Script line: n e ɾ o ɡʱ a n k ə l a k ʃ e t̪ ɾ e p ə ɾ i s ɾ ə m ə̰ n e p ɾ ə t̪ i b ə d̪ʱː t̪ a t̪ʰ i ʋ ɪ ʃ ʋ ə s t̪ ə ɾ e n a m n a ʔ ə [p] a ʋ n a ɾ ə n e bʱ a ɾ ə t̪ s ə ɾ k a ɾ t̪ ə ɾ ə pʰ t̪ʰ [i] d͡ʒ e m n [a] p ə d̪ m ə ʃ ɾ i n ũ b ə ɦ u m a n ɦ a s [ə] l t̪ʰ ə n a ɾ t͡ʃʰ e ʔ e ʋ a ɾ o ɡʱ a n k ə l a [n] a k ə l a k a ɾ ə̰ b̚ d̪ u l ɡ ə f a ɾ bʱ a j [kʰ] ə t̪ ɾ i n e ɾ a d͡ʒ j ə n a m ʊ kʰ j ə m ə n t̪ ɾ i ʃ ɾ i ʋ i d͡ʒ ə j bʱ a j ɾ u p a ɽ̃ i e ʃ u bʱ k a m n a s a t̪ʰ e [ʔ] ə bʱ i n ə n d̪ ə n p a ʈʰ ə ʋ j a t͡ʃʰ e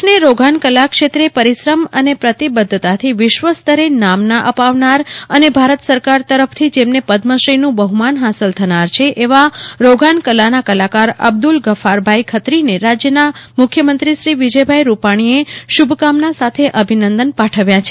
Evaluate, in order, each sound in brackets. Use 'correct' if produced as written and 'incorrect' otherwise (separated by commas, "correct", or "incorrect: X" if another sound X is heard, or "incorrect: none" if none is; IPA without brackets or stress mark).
correct, correct, incorrect: e, correct, correct, correct, correct